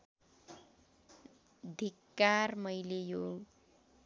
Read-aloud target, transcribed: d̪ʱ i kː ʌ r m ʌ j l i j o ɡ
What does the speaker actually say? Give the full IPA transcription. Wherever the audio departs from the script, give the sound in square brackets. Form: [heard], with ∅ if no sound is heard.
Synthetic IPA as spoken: d̪ʱ i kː [a] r m ʌ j l [e] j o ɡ